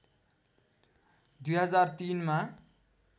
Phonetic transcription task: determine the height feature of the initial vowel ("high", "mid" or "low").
high